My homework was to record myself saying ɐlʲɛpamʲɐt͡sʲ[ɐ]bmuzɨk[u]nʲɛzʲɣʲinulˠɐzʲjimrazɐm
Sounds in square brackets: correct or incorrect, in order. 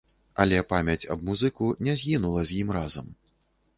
correct, correct

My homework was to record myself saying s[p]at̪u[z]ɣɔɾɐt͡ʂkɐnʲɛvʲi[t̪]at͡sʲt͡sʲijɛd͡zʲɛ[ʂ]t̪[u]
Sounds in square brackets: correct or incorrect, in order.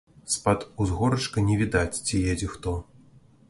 correct, correct, incorrect, incorrect, incorrect

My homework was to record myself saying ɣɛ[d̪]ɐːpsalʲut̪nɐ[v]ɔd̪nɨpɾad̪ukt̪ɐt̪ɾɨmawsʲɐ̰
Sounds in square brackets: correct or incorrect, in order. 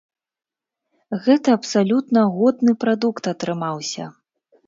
incorrect, incorrect

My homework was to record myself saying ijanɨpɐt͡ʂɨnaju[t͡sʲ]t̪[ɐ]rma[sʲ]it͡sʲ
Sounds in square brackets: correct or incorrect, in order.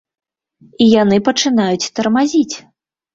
correct, correct, incorrect

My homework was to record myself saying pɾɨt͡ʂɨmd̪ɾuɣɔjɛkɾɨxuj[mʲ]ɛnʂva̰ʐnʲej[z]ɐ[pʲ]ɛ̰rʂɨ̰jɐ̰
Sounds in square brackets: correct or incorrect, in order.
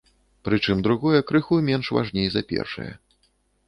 correct, correct, correct

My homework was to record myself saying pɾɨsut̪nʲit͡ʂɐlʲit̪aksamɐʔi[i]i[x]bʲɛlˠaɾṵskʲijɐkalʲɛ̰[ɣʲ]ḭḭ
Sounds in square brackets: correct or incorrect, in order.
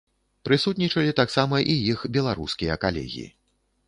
incorrect, correct, correct

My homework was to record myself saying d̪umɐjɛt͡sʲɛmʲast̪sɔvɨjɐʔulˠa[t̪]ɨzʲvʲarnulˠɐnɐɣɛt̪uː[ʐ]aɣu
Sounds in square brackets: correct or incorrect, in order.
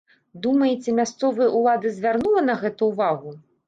incorrect, incorrect

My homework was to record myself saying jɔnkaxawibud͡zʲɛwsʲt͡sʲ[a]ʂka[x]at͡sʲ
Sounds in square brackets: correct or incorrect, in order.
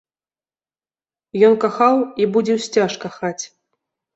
correct, correct

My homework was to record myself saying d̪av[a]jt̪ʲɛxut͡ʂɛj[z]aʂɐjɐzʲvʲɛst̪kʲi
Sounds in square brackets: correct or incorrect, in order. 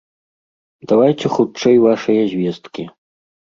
correct, incorrect

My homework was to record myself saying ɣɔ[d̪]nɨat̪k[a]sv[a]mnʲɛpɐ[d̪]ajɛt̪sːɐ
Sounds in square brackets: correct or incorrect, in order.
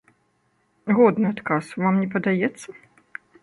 correct, correct, correct, correct

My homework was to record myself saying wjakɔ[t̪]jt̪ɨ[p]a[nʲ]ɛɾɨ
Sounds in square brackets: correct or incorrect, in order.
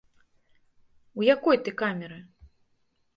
incorrect, incorrect, incorrect

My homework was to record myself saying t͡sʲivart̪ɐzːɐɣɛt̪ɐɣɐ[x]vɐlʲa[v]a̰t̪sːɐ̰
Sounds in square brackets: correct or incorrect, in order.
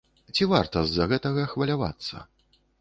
correct, correct

